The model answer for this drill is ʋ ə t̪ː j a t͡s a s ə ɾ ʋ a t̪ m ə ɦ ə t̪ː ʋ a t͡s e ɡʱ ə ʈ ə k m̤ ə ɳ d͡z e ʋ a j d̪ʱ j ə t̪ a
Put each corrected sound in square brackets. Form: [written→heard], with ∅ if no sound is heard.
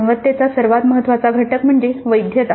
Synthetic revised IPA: ʋ ə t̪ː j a t͡s a s ə ɾ ʋ a t̪ m ə ɦ ə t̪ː ʋ a t͡s [e→a] ɡʱ ə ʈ ə k m̤ ə ɳ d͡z e ʋ [a→ə] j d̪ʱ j ə t̪ a